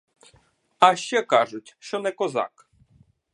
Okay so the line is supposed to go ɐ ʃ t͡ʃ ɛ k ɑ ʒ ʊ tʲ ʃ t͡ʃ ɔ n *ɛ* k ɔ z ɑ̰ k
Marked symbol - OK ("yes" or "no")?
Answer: yes